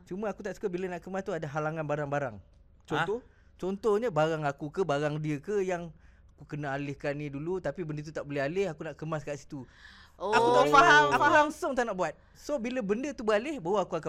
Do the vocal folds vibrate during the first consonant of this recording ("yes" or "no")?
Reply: no